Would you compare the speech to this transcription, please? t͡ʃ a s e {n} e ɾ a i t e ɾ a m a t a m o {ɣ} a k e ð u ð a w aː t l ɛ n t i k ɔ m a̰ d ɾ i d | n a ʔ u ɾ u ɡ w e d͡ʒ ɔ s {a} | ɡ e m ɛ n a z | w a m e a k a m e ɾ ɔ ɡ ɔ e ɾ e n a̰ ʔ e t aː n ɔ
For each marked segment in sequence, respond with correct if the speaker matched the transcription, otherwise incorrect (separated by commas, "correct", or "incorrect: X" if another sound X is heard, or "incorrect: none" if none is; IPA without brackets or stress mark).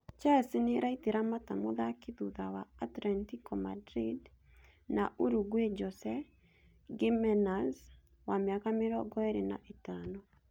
correct, incorrect: ð, incorrect: ɛ